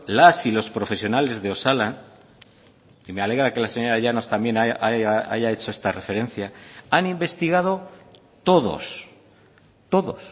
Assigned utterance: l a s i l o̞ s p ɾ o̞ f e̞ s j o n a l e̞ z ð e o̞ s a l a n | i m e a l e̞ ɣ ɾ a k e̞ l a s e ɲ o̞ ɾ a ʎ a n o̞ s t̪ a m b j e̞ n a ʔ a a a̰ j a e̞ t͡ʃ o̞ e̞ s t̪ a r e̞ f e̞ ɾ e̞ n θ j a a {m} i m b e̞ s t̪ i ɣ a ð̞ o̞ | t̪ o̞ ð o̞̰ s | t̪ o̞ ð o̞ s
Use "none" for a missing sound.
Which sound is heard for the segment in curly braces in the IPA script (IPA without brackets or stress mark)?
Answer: n